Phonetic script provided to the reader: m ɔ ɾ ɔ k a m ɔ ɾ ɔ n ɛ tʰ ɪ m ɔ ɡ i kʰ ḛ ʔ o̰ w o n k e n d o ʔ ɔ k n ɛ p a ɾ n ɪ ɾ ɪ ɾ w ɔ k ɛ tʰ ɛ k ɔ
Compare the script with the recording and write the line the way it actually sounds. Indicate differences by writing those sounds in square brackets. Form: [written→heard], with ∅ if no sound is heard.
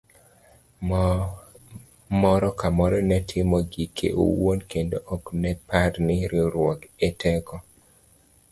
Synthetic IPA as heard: m ɔ ɾ ɔ k a m ɔ ɾ ɔ n ɛ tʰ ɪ m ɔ ɡ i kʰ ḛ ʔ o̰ w o n k e n d o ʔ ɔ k n ɛ p a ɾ n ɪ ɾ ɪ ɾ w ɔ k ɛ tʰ ɛ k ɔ